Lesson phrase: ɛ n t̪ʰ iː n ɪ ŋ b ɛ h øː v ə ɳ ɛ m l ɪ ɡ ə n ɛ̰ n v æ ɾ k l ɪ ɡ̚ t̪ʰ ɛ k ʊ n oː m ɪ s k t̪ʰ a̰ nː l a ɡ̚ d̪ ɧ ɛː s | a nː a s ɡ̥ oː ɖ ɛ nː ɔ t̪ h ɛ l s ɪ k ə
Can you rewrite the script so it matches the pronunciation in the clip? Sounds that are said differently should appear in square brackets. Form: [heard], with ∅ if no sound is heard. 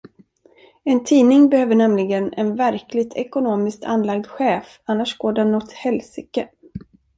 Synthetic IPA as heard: ɛ n t̪ʰ iː n ɪ ŋ b ɛ h øː v ə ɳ ɛ m l ɪ ɡ ə n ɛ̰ n v æ ɾ k l ɪ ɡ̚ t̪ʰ ɛ k ʊ n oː m ɪ s k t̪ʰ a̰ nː l a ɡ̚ d̪ ɧ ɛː [f] | a nː a [ʂ] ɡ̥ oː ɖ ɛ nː ɔ t̪ h ɛ l s ɪ k ə